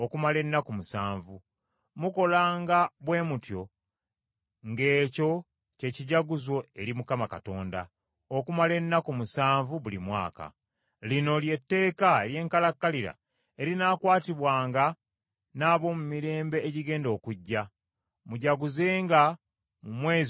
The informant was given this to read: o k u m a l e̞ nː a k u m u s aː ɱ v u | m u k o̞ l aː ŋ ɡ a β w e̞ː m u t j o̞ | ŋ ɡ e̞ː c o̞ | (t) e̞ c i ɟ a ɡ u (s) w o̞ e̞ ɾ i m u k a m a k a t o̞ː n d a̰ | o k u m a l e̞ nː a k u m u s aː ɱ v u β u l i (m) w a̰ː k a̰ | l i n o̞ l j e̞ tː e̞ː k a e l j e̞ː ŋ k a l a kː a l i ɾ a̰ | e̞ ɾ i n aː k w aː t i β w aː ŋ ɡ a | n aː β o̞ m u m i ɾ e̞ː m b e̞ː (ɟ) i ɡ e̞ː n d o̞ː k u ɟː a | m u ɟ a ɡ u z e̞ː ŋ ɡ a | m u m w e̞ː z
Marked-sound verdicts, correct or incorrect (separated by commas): incorrect, incorrect, correct, correct